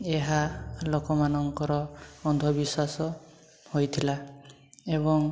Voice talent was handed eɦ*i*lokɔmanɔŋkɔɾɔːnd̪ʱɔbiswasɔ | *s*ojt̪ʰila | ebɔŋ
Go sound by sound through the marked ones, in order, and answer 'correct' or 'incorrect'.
incorrect, incorrect

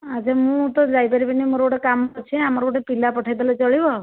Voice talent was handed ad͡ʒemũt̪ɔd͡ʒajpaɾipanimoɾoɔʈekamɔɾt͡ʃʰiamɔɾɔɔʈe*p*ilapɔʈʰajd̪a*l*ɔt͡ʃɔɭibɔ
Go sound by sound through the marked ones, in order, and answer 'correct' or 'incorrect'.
correct, correct

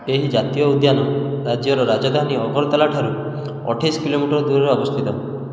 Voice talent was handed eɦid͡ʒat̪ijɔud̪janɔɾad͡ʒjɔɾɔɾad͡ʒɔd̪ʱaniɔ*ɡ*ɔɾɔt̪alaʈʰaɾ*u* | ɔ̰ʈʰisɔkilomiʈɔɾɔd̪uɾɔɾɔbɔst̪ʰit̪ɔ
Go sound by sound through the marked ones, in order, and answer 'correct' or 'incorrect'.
correct, correct

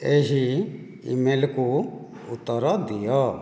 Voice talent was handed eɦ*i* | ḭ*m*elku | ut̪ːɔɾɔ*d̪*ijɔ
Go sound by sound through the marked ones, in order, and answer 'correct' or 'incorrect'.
correct, correct, correct

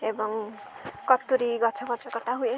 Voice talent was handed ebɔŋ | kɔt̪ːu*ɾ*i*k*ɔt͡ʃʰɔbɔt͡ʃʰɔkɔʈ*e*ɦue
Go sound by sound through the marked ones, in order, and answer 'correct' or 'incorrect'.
correct, incorrect, incorrect

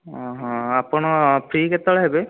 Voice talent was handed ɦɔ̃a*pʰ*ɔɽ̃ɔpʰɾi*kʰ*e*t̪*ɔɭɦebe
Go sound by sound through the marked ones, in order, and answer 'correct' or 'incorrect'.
incorrect, incorrect, correct

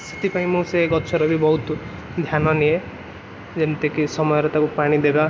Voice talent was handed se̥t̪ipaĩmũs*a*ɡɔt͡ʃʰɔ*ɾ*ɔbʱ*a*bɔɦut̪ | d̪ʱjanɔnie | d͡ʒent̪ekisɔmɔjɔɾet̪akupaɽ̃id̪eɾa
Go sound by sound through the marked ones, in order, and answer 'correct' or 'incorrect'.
incorrect, correct, incorrect

